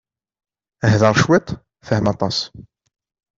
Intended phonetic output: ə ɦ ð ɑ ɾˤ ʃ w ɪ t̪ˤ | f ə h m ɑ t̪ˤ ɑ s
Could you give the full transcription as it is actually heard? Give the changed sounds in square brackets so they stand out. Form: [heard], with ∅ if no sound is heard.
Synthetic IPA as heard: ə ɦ ð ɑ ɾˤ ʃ w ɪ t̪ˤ | f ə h m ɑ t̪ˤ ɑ s